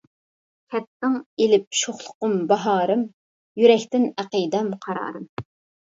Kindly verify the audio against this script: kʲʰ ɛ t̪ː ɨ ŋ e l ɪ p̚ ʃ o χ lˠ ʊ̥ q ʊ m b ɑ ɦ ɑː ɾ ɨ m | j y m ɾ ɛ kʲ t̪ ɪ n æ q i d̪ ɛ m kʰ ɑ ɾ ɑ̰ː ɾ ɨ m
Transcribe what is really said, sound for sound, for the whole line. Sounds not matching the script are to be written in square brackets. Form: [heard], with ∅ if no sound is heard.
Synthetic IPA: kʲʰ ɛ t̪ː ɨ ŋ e l ɪ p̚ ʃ o χ lˠ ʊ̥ q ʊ m b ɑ ɦ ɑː ɾ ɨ m | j y [∅] ɾ ɛ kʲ t̪ ɪ n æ q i d̪ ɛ m [qʰ] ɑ ɾ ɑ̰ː ɾ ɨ m